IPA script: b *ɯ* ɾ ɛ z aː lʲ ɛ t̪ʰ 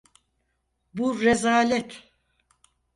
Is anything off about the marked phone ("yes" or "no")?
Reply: yes